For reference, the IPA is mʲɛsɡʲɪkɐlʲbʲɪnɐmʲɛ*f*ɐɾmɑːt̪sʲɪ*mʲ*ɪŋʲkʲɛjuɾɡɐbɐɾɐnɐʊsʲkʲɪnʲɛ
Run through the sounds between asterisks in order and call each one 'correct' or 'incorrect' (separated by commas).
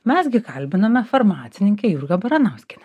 correct, incorrect